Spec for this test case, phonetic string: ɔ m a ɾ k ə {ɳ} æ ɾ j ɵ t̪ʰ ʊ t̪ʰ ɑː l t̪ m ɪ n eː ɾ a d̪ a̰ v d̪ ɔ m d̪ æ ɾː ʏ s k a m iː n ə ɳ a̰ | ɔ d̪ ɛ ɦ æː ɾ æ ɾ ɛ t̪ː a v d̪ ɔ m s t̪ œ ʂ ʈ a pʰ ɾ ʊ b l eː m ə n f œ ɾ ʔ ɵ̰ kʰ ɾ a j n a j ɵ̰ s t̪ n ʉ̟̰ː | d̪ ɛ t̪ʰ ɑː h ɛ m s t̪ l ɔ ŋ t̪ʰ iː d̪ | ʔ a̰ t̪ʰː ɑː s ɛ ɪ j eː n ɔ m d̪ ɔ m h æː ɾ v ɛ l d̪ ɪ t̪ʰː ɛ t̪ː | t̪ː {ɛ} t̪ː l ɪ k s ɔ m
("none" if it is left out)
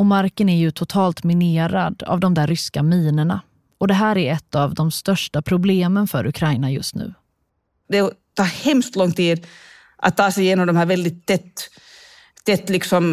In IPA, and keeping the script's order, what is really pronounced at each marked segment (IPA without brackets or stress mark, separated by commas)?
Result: n, ɛ